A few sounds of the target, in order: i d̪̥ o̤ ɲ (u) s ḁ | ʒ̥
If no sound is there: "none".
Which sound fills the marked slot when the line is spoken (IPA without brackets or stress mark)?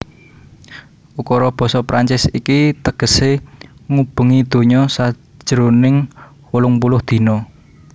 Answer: ɔ